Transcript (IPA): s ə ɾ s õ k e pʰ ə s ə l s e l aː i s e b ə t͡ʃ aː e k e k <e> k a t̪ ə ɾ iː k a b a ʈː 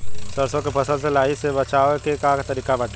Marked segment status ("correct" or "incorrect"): incorrect